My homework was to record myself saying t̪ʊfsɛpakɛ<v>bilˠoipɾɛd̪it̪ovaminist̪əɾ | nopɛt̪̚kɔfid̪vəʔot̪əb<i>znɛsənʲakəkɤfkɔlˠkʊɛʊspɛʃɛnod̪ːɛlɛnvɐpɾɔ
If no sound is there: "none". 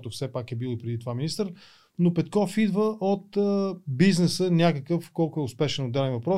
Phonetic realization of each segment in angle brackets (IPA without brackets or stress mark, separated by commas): none, i